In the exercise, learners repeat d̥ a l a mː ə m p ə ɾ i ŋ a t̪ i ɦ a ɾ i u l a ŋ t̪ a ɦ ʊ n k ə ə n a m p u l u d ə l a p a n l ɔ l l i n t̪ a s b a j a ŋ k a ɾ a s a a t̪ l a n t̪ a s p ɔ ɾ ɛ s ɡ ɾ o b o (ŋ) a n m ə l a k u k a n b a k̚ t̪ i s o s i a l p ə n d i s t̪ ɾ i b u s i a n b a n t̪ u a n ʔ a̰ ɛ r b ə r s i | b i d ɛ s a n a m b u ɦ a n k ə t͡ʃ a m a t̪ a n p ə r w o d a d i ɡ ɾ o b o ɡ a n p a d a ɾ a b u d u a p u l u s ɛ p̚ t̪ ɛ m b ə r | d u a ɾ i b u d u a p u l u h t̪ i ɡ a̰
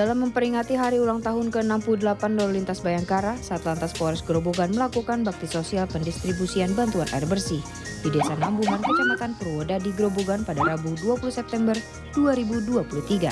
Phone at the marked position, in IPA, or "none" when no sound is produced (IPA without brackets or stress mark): ɡ